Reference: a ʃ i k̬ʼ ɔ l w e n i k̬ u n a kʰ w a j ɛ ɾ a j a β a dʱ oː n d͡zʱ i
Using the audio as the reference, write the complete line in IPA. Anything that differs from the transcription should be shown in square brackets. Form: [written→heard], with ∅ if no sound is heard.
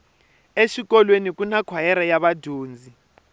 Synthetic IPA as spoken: [a→e] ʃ i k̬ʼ ɔ l w e n i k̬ u n a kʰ w a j ɛ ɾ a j a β a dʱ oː n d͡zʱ i